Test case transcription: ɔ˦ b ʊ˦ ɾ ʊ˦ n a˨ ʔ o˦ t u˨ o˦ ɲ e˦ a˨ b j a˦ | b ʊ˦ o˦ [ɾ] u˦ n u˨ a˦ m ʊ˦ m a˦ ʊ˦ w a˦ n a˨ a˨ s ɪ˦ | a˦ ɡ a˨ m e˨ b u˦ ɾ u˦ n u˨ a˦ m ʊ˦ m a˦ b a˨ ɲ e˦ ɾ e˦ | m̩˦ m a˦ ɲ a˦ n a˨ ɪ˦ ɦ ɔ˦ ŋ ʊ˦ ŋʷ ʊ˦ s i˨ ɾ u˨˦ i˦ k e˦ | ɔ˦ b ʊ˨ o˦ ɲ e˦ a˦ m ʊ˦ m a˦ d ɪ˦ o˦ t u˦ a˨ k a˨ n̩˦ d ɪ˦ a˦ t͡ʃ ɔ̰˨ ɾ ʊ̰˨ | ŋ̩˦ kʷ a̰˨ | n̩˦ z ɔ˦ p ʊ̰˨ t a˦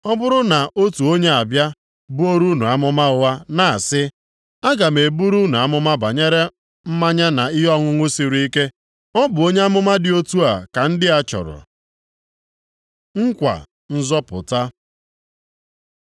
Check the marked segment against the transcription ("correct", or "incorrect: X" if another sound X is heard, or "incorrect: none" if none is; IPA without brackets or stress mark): correct